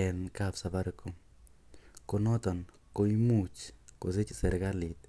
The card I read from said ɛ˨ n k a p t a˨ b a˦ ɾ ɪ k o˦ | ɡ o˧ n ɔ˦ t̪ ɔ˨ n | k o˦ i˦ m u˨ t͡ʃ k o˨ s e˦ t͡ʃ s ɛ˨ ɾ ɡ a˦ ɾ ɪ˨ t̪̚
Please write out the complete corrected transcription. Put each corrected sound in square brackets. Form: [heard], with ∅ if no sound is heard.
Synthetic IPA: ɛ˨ n k a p [s] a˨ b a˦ ɾ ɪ k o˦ | [k] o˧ n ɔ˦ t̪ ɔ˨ n | k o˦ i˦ m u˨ t͡ʃ k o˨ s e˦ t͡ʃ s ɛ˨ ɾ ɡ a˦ [l] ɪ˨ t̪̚